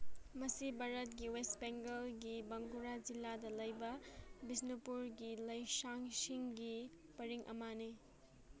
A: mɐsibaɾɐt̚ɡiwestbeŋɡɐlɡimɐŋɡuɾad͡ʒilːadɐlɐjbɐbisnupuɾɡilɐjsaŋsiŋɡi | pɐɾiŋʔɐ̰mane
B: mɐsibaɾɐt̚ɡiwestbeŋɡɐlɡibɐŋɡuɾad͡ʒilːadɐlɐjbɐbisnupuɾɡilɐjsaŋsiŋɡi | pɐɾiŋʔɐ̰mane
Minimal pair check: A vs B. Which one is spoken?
B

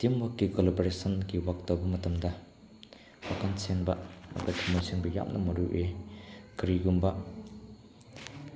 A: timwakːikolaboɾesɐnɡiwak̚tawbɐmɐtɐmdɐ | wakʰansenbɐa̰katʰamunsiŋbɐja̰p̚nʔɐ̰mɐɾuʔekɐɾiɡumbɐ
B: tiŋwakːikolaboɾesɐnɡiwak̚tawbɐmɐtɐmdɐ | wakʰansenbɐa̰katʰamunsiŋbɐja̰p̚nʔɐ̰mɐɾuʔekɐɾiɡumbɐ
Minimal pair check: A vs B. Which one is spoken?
A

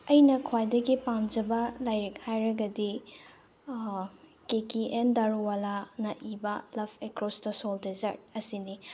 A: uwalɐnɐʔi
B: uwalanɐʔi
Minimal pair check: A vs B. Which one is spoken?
B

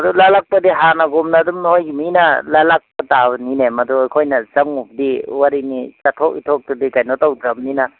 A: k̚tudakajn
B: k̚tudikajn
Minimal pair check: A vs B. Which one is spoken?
B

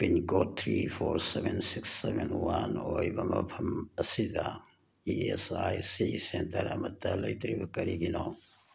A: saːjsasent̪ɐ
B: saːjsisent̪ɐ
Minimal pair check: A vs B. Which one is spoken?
B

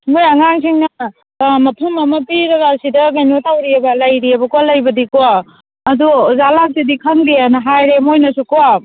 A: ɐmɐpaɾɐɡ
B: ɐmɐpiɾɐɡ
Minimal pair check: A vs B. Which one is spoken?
B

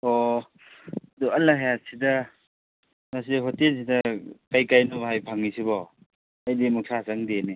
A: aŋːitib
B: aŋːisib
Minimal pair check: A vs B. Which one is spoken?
B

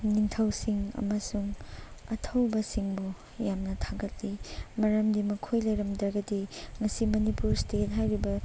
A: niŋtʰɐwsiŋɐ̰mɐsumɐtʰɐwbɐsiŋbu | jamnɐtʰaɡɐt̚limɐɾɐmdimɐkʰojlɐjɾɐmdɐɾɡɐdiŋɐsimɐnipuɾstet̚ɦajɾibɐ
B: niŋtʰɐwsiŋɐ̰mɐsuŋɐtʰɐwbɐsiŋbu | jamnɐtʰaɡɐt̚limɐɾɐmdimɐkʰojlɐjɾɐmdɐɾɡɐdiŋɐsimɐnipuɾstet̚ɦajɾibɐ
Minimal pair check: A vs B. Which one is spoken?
B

